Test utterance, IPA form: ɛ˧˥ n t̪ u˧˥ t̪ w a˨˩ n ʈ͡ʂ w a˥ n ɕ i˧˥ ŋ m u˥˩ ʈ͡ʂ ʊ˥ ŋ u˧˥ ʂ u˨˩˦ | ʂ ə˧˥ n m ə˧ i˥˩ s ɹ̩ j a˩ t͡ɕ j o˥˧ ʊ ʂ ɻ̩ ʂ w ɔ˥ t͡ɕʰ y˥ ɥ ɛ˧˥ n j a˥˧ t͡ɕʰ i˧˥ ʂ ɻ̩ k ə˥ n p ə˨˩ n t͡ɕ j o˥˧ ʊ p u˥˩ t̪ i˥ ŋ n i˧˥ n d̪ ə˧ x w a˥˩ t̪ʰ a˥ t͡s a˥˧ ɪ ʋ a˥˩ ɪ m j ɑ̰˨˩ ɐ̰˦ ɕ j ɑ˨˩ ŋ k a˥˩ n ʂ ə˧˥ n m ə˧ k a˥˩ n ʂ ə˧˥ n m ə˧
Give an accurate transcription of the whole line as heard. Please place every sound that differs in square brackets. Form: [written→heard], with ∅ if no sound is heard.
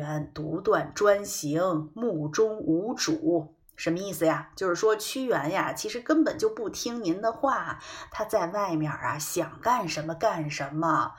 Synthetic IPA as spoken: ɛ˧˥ n t̪ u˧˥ t̪ w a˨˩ n ʈ͡ʂ w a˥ n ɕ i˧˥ ŋ m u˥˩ ʈ͡ʂ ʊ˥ ŋ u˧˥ [ʂ→ʈ͡ʂ] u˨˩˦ | ʂ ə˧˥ n m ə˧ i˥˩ s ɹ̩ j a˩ t͡ɕ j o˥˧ ʊ ʂ ɻ̩ ʂ w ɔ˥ t͡ɕʰ y˥ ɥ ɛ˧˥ n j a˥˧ t͡ɕʰ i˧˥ ʂ ɻ̩ k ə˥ n p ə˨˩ n t͡ɕ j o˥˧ ʊ p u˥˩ [t̪→t̪ʰ] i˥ ŋ n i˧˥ n d̪ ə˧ x w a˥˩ t̪ʰ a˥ t͡s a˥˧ ɪ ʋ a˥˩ ɪ m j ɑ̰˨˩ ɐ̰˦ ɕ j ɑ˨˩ ŋ k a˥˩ n ʂ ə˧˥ n m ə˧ k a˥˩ n ʂ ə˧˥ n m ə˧